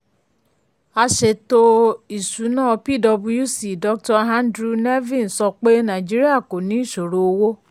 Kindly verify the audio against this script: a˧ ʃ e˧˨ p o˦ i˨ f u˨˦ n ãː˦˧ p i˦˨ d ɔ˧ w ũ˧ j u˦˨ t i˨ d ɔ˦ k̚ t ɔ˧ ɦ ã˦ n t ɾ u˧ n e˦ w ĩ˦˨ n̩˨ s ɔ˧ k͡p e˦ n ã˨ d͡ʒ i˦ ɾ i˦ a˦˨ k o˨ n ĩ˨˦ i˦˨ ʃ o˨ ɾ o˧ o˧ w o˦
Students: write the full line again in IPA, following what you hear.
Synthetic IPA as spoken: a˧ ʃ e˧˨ t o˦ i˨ s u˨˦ n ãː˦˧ p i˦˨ d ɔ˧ b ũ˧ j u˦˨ s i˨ d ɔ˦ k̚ t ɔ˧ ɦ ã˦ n d ɾ u˧ n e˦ v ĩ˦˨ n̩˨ s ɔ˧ k͡p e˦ n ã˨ d͡ʒ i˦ ɾ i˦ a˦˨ k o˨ n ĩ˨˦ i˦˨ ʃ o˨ ɾ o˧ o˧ w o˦